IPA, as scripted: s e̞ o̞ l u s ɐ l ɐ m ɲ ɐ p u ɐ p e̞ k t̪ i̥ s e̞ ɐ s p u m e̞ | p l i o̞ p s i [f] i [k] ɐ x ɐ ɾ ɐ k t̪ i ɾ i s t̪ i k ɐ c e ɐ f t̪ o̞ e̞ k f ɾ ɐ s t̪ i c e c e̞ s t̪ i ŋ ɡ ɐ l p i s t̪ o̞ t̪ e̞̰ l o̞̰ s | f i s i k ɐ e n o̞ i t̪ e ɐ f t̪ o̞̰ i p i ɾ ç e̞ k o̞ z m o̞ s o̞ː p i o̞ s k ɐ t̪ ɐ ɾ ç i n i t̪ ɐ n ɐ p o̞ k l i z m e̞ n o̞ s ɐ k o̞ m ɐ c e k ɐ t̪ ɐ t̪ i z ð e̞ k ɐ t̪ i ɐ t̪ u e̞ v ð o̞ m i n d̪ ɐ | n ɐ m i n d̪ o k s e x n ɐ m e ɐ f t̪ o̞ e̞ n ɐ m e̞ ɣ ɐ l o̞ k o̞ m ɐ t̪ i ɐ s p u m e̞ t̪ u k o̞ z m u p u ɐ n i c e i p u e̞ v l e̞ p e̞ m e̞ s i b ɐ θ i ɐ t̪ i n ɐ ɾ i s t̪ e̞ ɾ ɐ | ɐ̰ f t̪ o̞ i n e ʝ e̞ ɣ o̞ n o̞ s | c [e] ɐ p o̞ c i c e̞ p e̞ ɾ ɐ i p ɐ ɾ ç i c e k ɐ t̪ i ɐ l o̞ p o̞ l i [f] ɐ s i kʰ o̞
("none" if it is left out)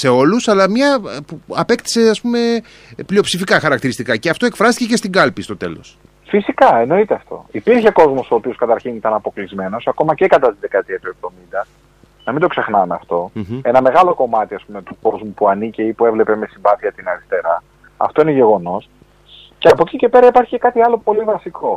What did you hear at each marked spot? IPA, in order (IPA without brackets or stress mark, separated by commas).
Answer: f, k, e, v